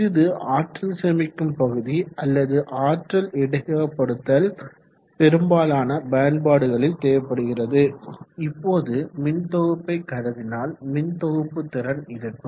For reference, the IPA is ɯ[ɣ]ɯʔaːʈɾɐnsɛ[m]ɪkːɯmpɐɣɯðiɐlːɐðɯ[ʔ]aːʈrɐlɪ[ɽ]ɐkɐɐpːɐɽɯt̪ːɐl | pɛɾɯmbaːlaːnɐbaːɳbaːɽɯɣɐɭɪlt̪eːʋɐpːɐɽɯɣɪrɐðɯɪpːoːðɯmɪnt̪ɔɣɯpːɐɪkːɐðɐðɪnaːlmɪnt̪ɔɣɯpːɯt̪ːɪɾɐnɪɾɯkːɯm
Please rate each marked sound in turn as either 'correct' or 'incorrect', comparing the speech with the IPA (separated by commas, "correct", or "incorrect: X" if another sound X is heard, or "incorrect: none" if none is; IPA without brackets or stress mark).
incorrect: ð, correct, correct, correct